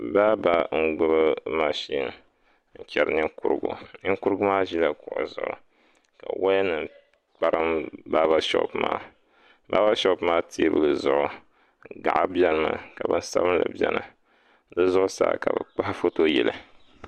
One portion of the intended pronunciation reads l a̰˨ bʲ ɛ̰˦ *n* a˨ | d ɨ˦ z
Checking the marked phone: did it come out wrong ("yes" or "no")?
no